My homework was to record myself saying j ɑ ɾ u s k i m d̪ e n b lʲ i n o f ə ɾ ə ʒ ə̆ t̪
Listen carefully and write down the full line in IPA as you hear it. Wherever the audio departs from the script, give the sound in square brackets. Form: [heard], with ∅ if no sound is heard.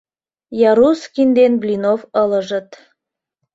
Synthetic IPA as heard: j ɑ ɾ u s k i [n] d̪ e n b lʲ i n o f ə [l] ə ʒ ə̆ t̪